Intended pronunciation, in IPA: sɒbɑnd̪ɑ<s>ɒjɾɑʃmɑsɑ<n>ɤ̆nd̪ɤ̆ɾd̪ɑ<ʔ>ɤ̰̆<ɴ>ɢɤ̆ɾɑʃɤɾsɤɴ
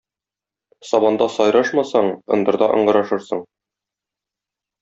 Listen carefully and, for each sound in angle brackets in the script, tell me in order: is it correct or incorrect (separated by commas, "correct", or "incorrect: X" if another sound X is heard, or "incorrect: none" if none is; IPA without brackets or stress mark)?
correct, incorrect: ɴ, correct, correct